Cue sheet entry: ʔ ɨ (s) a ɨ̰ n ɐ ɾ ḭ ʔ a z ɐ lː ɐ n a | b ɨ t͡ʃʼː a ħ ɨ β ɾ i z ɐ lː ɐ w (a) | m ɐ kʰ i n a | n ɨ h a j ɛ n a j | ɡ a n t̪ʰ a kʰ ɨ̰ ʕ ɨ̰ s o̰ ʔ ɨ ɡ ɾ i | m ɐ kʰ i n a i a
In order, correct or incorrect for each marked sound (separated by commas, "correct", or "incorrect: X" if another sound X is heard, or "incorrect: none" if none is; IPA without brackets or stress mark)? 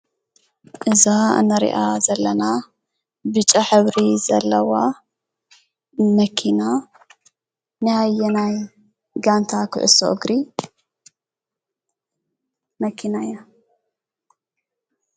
incorrect: z, correct